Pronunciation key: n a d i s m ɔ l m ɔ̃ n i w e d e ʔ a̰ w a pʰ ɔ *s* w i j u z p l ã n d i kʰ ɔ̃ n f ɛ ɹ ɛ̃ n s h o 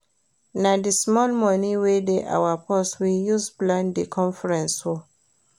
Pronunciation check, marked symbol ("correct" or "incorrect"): correct